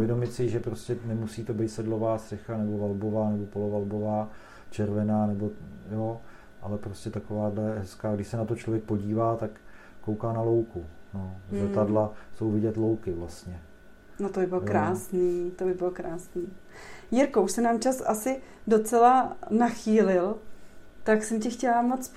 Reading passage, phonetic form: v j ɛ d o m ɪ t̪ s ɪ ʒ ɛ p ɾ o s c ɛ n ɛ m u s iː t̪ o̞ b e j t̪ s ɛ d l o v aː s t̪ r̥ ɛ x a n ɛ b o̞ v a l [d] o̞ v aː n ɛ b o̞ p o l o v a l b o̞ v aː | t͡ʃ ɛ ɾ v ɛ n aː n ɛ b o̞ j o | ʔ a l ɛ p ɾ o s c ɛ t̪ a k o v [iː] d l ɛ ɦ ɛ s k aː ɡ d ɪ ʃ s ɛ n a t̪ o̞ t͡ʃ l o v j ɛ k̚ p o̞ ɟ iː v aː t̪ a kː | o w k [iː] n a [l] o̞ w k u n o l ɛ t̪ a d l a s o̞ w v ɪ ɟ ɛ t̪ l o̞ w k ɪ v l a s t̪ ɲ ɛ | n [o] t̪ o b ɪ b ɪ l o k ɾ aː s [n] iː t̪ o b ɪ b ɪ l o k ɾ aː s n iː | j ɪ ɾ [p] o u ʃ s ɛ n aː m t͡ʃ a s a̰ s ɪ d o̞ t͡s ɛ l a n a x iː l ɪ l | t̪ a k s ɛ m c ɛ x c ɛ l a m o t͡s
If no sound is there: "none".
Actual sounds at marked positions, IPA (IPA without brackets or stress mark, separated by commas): b, aː, aː, l, o, n, k